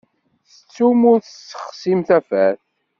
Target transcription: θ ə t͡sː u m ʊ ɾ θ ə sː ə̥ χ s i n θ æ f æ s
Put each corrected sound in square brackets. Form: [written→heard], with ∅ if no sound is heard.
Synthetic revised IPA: θ ə t͡sː u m ʊ ɾ θ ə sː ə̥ χ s i [n→m] θ æ f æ [s→θ]